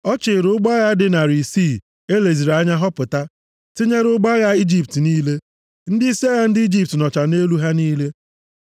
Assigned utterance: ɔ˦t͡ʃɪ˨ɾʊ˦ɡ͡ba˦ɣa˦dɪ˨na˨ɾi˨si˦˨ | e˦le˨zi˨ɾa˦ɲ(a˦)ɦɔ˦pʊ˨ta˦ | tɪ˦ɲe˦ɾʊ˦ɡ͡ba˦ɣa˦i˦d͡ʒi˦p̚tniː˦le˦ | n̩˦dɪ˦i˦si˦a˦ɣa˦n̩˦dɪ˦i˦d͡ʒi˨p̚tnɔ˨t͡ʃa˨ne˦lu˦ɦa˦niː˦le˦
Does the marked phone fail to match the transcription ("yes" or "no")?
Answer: no